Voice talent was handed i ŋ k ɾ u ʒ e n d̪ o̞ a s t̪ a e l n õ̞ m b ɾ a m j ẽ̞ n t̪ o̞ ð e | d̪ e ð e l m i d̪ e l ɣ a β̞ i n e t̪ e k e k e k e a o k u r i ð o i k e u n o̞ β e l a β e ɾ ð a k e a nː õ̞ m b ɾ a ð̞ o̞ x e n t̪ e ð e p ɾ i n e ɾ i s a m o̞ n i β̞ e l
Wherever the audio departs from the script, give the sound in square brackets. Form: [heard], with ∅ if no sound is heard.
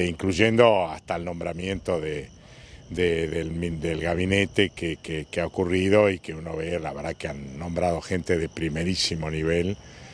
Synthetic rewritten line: i ŋ k [l] u ʒ e n d̪ o̞ a s t̪ a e l n õ̞ m b ɾ a m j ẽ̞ n t̪ o̞ ð e | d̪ e ð e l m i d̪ e l ɣ a β̞ i n e t̪ e k e k e k e a o k u r i ð o i k e u n o̞ β e l a β e ɾ ð a k e a nː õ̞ m b ɾ a ð̞ o̞ x e n t̪ e ð e p ɾ i [m] e ɾ i s [i] m o̞ n i β̞ e l